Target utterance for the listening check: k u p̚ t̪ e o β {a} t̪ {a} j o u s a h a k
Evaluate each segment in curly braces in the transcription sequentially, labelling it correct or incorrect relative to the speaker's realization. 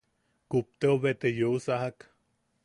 incorrect: e, incorrect: e

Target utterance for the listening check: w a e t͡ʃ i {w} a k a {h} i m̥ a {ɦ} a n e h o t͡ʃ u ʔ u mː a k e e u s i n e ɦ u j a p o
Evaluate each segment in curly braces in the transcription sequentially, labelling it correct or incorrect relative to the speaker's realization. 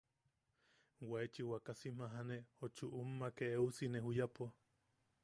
correct, incorrect: s, correct

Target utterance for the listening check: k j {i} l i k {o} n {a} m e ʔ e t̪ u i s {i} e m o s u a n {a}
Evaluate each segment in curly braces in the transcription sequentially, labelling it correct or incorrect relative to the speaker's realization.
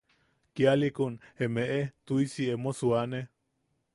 incorrect: a, incorrect: u, incorrect: e, correct, incorrect: e

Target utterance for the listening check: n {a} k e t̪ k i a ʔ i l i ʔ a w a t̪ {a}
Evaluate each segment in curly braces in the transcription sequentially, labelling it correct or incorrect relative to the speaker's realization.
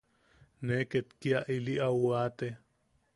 incorrect: e, incorrect: e

